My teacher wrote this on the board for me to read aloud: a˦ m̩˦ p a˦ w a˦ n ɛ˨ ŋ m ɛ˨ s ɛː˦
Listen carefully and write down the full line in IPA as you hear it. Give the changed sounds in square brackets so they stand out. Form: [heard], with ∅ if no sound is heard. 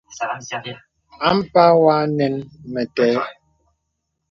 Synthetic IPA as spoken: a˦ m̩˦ p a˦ w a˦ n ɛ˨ [n] m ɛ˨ [t] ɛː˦